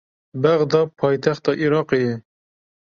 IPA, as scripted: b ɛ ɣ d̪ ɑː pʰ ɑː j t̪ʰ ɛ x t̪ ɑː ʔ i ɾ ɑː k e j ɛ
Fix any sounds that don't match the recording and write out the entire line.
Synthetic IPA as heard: b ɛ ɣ d̪ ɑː pʰ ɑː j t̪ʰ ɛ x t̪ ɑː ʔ i ɾ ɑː q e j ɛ